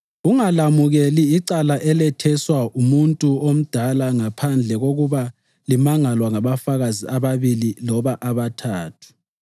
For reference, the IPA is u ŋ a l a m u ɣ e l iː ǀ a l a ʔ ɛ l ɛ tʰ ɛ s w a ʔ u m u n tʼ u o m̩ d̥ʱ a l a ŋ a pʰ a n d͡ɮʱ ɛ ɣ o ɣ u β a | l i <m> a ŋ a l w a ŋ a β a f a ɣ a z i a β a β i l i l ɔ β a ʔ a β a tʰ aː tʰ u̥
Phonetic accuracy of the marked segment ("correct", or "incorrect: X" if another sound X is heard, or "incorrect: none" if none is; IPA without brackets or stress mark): correct